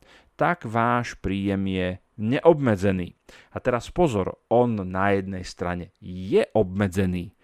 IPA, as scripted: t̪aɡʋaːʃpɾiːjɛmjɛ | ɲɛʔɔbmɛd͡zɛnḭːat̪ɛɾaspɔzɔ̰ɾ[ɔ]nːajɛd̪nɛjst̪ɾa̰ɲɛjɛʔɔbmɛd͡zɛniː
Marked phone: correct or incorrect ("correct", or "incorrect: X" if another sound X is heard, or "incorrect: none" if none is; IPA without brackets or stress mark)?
correct